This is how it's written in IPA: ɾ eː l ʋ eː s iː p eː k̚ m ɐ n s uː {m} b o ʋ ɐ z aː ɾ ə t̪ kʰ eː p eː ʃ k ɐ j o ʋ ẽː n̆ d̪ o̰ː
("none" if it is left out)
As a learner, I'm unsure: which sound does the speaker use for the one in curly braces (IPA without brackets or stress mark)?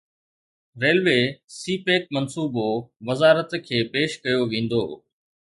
none